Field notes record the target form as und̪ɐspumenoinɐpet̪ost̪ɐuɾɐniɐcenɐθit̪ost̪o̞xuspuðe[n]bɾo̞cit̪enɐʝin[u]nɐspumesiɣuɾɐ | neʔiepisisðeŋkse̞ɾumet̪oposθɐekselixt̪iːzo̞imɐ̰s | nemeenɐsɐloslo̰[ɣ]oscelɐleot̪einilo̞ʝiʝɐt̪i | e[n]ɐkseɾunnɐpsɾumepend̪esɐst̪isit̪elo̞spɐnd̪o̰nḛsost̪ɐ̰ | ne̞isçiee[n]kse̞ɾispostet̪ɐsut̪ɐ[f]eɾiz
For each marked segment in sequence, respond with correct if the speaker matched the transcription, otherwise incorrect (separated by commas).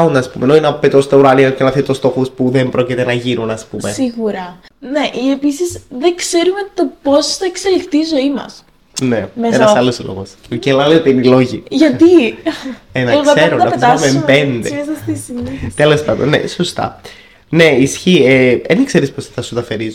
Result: incorrect, correct, correct, correct, correct, correct